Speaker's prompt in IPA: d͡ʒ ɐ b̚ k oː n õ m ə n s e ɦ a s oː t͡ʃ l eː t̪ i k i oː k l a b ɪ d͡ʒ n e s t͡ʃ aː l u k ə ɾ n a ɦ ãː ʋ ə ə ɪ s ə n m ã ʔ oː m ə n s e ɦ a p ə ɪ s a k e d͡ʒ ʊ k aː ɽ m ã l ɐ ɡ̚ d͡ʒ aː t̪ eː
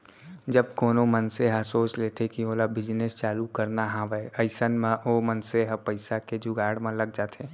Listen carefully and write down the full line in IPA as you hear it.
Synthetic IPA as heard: d͡ʒ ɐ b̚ k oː n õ m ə n s e ɦ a s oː t͡ʃ l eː t̪ e k i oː l a b ɪ d͡ʒ n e s t͡ʃ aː l u k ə ɾ n a ɦ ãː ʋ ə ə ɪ s ə n m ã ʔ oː m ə n s e ɦ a p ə ɪ s a k e d͡ʒ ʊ ɡ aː ɽ m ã l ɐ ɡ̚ d͡ʒ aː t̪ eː